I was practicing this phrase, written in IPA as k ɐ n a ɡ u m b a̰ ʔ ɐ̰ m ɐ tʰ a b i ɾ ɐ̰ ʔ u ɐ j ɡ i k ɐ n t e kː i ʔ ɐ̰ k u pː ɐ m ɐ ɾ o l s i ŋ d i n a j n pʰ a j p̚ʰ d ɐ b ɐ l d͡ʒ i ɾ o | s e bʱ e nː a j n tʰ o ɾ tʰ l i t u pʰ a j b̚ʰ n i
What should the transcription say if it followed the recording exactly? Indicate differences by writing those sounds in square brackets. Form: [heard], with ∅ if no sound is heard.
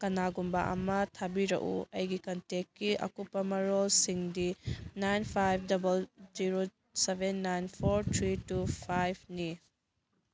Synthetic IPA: k ɐ n a ɡ u m b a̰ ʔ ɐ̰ m ɐ tʰ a b i ɾ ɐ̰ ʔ u ɐ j ɡ i k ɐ n t e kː i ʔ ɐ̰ k u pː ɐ m ɐ ɾ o l s i ŋ d i n a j n pʰ a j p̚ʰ d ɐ b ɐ l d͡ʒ i ɾ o | s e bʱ e nː a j n [pʰ] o ɾ tʰ [ɾ] i t u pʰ a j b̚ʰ n i